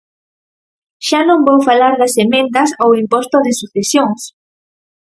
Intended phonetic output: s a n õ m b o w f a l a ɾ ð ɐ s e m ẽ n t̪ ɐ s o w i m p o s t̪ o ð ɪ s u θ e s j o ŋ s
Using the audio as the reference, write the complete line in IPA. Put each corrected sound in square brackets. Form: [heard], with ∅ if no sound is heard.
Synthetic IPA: [ʃ] a n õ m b o w f a l a ɾ ð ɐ s e m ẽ n t̪ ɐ s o w i m p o s t̪ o ð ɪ s u θ e s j o ŋ s

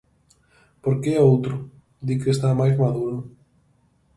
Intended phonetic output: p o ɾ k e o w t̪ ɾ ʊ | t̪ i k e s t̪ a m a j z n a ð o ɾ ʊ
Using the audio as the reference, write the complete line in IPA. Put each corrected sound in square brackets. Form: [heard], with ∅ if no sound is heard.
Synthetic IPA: p o ɾ k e o w t̪ ɾ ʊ | [d̪] i k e s t̪ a m a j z [m] a ð [u] ɾ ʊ

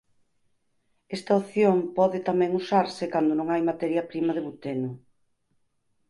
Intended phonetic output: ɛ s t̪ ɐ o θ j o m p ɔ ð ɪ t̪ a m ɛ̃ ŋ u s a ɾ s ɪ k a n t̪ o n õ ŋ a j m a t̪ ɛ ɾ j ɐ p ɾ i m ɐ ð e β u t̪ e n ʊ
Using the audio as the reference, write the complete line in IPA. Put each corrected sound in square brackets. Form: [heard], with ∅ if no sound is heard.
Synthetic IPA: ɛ s t̪ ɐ o θ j o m p ɔ ð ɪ t̪ a m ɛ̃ ŋ u s a ɾ s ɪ k a n [d̪] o n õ ŋ a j m a t̪ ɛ ɾ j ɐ p ɾ i m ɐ ð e β u t̪ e n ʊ

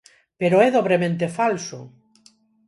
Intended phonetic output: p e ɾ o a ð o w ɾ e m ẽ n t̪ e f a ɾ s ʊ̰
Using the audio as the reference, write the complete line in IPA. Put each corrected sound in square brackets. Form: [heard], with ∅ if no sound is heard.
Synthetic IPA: p e ɾ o [ɛ] ð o [β] ɾ e m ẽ n t̪ e f a [l] s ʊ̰

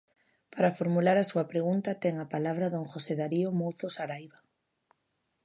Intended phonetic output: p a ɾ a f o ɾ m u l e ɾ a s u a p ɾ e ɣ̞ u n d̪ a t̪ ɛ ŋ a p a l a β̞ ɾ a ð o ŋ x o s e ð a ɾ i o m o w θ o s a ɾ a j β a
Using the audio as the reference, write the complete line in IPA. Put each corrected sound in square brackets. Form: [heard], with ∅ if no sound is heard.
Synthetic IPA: p a ɾ a f o ɾ m u l [a] ɾ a s u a p ɾ e ɣ̞ u n [t̪] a t̪ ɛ ŋ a p a l a β̞ ɾ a ð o ŋ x o s e ð a ɾ i o m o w θ o s a ɾ a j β a

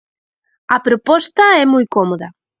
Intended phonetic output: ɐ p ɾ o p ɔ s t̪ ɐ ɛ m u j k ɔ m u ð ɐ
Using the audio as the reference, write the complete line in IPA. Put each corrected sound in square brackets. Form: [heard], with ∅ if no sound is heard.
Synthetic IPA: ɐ p ɾ o p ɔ s t̪ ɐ ɛ m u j k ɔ m [o] ð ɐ

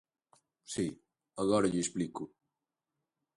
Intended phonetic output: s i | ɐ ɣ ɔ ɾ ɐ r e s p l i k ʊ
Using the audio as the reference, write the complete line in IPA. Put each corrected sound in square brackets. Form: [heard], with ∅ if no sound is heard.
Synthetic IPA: s i | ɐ ɣ ɔ ɾ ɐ [ʎ] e s p l i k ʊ

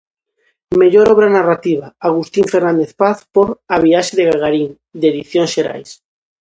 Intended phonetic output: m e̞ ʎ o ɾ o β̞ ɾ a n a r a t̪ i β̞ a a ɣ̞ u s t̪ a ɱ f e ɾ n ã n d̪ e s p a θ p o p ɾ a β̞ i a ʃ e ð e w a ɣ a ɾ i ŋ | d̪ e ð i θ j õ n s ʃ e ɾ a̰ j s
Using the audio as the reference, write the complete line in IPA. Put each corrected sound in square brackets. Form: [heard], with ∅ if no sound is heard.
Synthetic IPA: m e̞ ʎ o ɾ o β̞ ɾ a n a r a t̪ i β̞ a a ɣ̞ u s t̪ [i] ɱ f e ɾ n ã n d̪ e [θ] p a θ p o [∅] ɾ a β̞ i a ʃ e ð e [ɣ] a ɣ a ɾ i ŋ | d̪ e ð i θ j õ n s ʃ e ɾ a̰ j s

